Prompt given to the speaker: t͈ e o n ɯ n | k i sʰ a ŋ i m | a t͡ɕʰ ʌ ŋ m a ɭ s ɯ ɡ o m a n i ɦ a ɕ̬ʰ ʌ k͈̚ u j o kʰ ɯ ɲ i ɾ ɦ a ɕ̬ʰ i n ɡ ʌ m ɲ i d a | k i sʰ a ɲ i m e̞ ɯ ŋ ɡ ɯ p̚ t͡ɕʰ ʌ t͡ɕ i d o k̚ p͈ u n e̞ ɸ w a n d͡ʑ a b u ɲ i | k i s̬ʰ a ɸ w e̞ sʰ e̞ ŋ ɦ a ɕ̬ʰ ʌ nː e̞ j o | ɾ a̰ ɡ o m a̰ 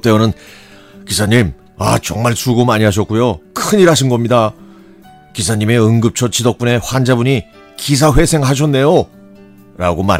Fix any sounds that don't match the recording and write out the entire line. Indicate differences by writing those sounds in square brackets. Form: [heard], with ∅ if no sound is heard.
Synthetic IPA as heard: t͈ e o n ɯ n | k i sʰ a [ɲ] i m | a [t͡ɕ] ʌ ŋ m a ɭ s [u] ɡ o m a [ɲ] i ɦ a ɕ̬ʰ ʌ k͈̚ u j o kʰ ɯ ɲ i ɾ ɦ a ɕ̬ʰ i n ɡ ʌ m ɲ i d a | k i sʰ a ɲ i m e̞ ɯ ŋ ɡ ɯ p̚ t͡ɕʰ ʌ t͡ɕ i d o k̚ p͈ u n e̞ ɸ w a n d͡ʑ a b u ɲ i | k i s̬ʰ a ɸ w e̞ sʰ e̞ ŋ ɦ a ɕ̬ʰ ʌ nː e̞ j o | ɾ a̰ ɡ o m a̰